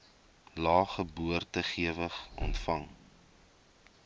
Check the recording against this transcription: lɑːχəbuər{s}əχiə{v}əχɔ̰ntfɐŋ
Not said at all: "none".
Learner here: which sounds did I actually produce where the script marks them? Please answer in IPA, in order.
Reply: t, v

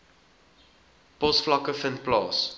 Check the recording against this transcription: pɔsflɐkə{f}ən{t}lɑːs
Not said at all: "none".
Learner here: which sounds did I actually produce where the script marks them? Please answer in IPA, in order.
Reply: f, p

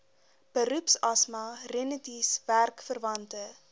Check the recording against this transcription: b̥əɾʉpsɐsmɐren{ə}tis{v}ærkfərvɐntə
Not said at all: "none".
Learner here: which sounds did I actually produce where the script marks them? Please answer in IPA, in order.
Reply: ə, v

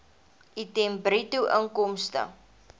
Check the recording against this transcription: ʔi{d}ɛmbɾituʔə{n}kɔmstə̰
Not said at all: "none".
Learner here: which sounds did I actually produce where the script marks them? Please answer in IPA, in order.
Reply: t, ŋ

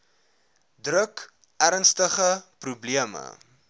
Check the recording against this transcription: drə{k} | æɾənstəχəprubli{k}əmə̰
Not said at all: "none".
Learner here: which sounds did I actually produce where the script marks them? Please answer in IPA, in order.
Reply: k, none

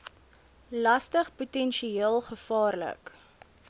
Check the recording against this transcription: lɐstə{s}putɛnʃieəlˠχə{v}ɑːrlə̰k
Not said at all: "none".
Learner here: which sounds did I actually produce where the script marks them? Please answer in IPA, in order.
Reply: χ, f

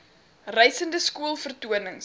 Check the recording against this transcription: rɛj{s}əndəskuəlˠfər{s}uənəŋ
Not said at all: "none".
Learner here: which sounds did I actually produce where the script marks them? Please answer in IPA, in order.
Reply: s, t

